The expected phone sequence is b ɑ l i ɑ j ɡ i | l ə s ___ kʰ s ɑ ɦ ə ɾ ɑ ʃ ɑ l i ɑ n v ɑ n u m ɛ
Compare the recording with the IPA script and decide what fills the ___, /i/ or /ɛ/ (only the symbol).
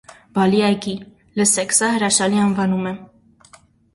ɛ